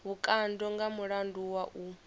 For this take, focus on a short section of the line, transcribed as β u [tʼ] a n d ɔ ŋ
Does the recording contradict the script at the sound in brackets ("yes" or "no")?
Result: yes